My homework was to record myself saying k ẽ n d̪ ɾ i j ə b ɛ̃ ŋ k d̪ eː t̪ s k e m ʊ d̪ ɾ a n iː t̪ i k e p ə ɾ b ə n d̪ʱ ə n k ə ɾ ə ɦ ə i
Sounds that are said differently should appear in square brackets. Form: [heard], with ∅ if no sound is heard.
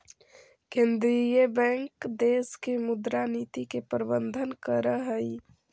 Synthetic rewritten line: k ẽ n d̪ ɾ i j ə b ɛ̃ ŋ k d̪ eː [∅] s k e m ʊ d̪ ɾ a n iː t̪ i k e p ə ɾ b ə n d̪ʱ ə n k ə ɾ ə ɦ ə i